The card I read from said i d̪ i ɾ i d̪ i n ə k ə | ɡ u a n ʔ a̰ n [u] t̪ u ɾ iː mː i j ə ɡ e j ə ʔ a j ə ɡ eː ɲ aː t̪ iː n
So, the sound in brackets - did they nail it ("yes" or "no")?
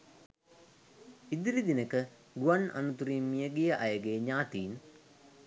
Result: yes